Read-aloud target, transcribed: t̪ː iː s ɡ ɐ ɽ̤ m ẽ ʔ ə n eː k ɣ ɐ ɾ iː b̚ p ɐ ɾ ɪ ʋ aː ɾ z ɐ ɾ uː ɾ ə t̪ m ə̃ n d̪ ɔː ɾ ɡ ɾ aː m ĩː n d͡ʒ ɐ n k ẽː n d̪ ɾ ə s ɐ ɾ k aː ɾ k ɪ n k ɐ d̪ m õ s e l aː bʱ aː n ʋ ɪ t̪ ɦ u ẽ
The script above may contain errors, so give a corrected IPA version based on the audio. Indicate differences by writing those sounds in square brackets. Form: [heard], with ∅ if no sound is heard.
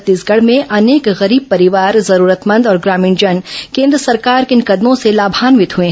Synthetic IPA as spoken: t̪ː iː s ɡ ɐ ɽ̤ m ẽ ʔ [ɐ] n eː k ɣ ɐ ɾ iː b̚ p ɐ ɾ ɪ ʋ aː ɾ z ɐ ɾ uː ɾ ə t̪ m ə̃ n d̪ ɔː ɾ ɡ ɾ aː m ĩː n d͡ʒ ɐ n k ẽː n d̪ ɾ ə s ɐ ɾ k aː ɾ k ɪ n k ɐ d̪ m õ s e l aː bʱ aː n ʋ ɪ t̪ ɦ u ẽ